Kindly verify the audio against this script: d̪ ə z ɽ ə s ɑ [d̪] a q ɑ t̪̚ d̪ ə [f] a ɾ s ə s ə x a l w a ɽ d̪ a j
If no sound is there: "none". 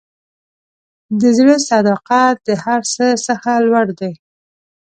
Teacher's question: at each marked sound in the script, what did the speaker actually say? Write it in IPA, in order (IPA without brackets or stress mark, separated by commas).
d̪, h